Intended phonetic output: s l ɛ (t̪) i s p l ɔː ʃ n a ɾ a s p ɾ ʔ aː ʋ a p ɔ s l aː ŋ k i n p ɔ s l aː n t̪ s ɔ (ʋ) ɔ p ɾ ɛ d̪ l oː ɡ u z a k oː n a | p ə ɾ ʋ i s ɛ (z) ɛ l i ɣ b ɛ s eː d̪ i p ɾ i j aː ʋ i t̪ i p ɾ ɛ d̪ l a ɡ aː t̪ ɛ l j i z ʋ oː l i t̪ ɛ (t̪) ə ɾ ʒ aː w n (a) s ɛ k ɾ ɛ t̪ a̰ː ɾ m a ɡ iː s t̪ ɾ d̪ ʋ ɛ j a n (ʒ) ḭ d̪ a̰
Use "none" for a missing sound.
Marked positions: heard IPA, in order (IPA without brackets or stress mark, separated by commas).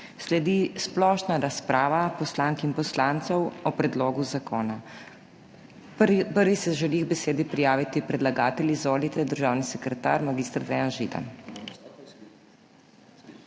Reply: d̪, w, ʒ, d̪, i, ʒ